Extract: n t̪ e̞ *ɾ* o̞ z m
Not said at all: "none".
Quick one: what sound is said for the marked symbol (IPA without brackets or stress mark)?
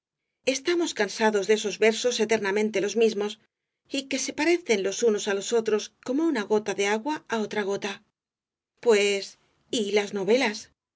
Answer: l